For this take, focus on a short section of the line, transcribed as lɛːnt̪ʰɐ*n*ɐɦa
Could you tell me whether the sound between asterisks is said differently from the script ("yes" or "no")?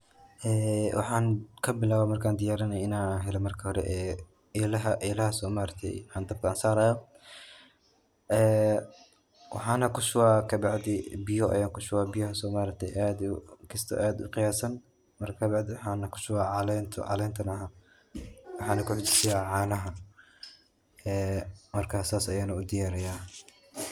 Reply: no